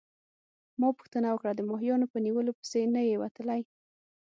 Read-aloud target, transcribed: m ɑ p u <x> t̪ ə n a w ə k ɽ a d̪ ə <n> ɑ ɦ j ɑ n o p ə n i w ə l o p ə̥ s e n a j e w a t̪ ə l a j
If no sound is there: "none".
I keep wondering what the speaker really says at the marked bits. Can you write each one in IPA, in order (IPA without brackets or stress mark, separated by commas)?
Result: x, m